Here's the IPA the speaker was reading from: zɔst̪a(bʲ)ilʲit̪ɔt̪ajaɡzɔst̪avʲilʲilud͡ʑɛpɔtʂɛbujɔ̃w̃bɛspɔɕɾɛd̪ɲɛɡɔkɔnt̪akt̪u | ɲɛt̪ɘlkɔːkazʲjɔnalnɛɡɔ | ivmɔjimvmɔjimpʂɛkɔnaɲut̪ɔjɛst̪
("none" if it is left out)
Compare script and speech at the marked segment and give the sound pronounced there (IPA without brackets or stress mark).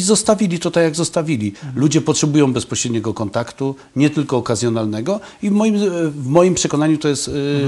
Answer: vʲ